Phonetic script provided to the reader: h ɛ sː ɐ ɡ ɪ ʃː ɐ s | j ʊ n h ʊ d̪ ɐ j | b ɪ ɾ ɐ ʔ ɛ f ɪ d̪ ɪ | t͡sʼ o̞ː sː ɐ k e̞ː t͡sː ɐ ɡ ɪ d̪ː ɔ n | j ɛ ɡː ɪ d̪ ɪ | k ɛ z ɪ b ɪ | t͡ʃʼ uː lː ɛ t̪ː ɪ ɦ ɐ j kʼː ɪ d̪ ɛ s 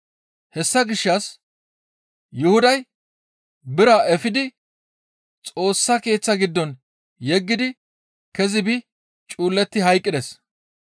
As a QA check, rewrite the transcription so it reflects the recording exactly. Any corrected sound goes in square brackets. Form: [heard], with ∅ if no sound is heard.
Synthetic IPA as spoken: h ɛ sː ɐ ɡ ɪ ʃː ɐ s | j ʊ [∅] h ʊ d̪ ɐ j | b ɪ ɾ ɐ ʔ ɛ f ɪ d̪ ɪ | t͡sʼ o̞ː sː ɐ k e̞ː t͡sː ɐ ɡ ɪ d̪ː ɔ n | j ɛ ɡː ɪ d̪ ɪ | k ɛ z ɪ b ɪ | t͡ʃʼ uː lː ɛ t̪ː ɪ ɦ ɐ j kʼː ɪ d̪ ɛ s